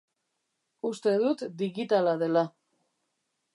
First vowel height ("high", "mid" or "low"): high